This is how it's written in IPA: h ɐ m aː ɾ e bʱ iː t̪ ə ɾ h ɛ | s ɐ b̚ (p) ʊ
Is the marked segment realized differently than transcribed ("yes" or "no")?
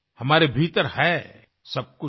yes